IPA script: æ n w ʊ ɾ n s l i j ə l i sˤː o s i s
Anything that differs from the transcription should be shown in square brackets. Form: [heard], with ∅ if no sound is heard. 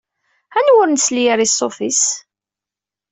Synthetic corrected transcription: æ n w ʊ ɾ n s l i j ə [ɾ] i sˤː o [f] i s